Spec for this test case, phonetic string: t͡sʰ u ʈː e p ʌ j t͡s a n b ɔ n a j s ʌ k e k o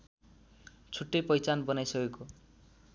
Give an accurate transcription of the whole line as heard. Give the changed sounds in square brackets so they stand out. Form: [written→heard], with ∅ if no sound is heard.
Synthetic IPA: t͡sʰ u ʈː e p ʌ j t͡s a n b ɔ n a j s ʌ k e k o